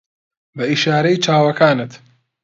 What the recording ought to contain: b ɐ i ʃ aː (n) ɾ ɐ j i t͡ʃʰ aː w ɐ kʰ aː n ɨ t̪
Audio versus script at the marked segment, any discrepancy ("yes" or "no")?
yes